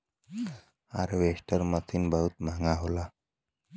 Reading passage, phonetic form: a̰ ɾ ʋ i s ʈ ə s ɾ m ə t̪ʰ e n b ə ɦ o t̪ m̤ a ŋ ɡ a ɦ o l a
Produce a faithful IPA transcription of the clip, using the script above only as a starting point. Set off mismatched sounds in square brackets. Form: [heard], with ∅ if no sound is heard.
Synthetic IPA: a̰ ɾ ʋ [e] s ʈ ə [∅] ɾ m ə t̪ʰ [i] n b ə ɦ [u] t̪ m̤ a ŋ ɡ a ɦ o l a